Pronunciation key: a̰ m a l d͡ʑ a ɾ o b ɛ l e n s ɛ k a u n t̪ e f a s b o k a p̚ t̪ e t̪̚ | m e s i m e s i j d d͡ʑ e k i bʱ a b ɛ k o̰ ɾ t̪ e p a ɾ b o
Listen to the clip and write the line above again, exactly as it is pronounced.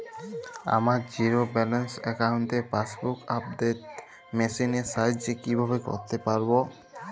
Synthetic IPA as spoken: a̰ m a ɾ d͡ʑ i ɾ o b ɛ l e n s ɛ k a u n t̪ e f a s b u k a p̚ d̪ e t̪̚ | m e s i n e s a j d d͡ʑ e k i bʱ a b e k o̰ ɾ t̪ e p a ɾ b o